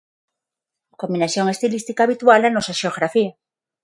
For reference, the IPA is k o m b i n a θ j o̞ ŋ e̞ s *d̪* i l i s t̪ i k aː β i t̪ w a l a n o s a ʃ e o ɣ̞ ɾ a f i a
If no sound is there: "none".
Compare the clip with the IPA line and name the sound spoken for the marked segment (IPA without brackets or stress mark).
t̪